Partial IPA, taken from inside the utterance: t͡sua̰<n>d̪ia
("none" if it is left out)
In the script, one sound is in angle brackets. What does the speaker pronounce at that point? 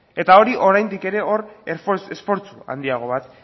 n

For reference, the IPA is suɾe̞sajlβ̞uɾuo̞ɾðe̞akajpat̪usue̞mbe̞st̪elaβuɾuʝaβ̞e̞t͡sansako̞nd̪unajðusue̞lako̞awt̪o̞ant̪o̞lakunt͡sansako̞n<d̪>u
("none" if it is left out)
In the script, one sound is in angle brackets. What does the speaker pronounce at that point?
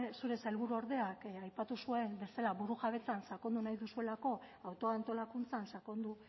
d̪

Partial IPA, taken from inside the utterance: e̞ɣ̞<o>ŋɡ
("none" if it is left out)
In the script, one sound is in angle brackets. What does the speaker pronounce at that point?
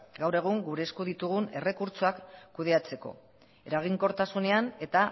u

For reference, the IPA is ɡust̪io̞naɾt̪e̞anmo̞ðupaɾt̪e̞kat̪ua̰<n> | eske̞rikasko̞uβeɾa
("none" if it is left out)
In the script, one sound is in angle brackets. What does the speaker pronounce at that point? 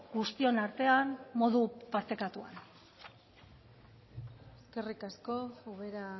n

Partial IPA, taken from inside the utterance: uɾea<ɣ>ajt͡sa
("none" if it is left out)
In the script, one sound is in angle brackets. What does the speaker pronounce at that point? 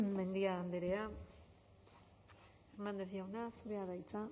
ð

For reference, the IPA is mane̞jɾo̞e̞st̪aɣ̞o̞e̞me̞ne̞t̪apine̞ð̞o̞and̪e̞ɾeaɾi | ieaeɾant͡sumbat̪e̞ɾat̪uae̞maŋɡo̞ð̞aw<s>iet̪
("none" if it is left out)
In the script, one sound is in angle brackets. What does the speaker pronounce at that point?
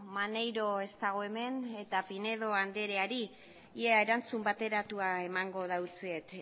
t͡s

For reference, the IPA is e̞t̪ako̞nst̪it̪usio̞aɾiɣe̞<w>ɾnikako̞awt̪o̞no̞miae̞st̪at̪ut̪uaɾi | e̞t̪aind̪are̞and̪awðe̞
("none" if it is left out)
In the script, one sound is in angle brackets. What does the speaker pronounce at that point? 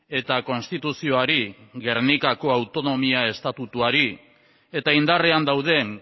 none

